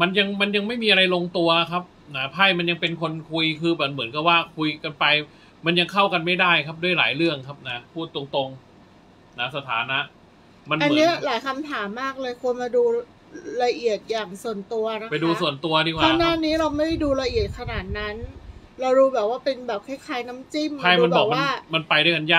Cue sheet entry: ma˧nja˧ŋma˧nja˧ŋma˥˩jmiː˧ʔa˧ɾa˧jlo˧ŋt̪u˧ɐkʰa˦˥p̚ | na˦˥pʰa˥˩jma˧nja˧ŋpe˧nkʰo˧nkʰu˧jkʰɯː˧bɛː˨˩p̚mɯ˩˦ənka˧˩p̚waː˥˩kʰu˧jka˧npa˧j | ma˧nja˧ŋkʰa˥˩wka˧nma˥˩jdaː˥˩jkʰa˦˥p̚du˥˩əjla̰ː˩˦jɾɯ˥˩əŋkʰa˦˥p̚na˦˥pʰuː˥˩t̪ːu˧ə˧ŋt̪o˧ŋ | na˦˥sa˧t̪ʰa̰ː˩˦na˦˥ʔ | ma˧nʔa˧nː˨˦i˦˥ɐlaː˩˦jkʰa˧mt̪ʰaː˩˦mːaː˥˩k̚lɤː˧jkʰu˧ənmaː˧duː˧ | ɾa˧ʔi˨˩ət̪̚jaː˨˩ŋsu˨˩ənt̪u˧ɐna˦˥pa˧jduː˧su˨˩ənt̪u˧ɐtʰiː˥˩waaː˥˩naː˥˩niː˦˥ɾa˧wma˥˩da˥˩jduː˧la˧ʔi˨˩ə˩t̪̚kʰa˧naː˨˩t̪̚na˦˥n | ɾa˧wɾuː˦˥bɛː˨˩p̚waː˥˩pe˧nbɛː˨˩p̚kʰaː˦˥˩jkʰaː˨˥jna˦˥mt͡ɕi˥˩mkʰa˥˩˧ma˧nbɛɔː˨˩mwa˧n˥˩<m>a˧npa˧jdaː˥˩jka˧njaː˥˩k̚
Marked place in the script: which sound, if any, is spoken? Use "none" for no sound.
m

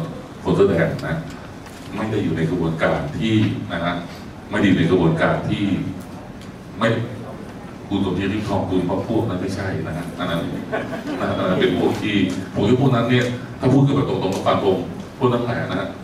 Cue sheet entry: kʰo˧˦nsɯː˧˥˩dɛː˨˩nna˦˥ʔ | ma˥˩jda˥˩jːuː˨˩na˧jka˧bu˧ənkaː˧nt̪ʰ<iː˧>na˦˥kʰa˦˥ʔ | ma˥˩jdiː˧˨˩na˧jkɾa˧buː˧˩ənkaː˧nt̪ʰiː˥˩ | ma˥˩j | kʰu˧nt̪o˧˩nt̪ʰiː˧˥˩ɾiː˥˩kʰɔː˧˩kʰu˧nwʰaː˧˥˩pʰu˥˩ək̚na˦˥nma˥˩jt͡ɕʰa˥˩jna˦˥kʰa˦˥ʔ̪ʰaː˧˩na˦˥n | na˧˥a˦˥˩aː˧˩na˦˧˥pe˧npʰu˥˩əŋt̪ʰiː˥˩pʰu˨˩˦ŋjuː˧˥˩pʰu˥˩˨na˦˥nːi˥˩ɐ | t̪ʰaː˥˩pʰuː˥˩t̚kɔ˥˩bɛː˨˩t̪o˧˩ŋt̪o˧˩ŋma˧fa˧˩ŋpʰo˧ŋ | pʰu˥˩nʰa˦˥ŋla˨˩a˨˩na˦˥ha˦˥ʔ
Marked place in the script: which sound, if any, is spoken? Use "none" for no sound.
iː˥˩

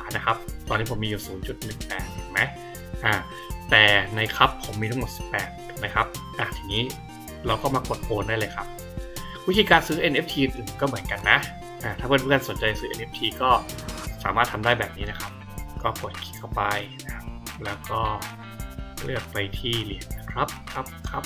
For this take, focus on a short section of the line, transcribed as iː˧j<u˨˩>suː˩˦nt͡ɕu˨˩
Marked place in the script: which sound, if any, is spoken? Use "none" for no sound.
uː˨˩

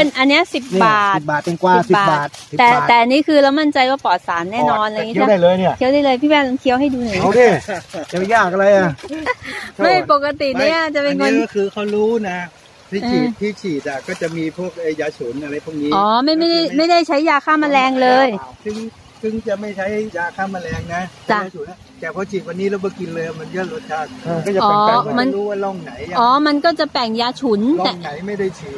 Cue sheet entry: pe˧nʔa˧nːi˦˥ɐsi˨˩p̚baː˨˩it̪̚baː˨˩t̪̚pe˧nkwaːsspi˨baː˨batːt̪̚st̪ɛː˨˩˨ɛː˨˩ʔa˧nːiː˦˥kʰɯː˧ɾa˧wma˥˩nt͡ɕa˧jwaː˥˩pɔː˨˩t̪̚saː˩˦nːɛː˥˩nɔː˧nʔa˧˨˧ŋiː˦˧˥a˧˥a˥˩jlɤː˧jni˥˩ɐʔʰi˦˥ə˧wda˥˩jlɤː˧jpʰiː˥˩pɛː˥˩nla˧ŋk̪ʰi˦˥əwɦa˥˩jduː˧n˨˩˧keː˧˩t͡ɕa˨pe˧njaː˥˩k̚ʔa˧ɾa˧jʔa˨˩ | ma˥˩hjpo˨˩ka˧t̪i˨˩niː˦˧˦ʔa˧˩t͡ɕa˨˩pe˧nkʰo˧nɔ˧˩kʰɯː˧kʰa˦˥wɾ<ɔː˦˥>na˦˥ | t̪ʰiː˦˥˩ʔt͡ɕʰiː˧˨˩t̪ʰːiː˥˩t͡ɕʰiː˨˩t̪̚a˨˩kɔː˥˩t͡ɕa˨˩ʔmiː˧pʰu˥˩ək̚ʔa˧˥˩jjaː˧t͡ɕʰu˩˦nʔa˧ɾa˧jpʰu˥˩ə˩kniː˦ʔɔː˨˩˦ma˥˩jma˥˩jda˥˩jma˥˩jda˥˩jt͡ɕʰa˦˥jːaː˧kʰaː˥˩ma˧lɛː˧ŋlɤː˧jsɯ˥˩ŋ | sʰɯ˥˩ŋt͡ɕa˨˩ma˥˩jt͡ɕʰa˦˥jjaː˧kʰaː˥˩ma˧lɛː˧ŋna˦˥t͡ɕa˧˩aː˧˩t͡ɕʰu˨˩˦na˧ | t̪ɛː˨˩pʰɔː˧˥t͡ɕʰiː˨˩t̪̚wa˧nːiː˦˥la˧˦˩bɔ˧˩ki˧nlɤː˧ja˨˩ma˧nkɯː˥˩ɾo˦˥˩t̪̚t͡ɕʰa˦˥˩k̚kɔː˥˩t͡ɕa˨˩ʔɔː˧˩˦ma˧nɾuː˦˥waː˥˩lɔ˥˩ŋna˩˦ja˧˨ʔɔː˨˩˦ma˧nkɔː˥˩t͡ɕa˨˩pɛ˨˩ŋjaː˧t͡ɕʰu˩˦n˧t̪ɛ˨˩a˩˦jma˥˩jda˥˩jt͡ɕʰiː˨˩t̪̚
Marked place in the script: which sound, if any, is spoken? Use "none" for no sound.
uː˦˥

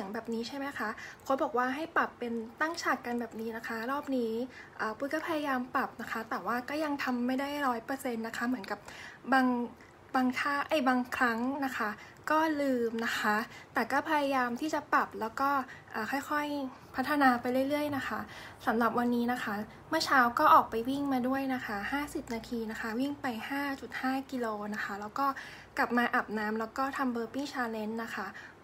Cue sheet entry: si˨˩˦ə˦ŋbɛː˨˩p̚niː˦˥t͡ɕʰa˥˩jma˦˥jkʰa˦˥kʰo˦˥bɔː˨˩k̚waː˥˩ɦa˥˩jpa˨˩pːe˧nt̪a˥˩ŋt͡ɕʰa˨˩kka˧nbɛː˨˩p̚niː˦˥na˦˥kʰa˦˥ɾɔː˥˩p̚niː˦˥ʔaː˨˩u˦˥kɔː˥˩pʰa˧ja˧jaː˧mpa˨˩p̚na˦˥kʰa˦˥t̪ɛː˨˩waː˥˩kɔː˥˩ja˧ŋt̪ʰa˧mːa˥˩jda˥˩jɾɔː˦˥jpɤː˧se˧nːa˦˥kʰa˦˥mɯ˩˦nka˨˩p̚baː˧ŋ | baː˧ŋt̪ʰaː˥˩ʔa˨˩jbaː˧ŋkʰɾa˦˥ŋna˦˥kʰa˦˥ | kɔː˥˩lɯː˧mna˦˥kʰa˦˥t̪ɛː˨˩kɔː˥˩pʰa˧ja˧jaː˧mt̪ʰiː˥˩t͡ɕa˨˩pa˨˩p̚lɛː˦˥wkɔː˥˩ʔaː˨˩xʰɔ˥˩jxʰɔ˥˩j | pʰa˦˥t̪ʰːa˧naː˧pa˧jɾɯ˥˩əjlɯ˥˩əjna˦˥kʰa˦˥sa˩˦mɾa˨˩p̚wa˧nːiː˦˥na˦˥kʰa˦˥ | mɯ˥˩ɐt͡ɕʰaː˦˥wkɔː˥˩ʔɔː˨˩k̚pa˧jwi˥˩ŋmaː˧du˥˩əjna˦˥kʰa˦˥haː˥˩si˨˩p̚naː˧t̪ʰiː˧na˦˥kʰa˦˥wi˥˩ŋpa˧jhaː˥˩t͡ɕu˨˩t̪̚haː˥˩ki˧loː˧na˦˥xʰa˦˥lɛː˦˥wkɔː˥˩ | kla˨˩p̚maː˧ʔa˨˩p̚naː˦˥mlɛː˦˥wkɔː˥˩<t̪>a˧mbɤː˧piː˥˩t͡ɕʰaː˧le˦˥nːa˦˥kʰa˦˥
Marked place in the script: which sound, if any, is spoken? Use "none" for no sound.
t̪ʰ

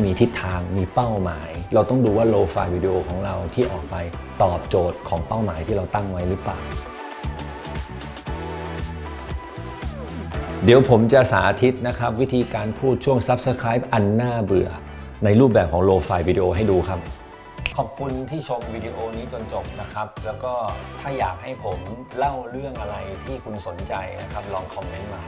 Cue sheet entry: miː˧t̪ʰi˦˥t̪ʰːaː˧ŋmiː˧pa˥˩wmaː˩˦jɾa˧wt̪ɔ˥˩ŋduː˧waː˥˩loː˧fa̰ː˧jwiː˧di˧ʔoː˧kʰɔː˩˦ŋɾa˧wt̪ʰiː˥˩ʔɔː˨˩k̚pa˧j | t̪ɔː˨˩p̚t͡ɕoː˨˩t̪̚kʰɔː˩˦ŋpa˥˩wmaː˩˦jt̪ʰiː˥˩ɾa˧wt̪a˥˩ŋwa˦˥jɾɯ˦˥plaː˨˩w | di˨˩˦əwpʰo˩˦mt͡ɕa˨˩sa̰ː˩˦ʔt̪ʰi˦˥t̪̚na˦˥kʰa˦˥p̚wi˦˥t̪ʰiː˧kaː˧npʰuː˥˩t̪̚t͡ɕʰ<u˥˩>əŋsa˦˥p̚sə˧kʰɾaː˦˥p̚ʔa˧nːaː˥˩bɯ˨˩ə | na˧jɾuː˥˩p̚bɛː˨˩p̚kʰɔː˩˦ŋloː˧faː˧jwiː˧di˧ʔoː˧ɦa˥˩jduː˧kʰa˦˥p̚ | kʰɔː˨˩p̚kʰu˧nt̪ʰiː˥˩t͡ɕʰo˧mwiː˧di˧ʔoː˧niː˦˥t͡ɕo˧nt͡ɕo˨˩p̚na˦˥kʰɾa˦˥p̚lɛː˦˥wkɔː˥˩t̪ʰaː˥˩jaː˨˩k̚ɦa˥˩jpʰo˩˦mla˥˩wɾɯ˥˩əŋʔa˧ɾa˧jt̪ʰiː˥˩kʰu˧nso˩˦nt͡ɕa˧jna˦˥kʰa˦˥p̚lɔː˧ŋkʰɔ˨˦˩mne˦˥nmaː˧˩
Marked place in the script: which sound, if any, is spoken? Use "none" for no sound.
u˥˩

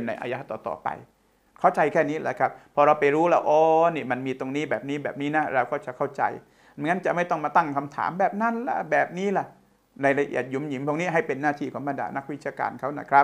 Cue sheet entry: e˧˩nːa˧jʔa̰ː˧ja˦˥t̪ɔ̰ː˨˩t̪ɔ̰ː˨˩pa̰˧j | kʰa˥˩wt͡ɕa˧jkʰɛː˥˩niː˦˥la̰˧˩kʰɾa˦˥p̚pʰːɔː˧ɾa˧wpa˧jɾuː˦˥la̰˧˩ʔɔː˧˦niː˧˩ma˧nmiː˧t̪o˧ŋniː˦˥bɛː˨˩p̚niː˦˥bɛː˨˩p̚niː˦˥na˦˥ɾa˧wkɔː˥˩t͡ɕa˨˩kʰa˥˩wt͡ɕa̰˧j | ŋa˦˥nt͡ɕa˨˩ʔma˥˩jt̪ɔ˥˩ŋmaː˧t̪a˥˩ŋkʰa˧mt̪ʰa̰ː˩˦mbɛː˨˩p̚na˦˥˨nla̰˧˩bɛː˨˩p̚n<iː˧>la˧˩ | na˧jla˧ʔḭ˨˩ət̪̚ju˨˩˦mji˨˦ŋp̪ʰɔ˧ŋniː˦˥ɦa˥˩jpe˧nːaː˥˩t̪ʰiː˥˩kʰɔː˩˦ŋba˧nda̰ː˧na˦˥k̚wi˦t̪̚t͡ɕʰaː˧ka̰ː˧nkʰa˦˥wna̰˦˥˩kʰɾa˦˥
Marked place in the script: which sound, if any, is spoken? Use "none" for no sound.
iː˦˥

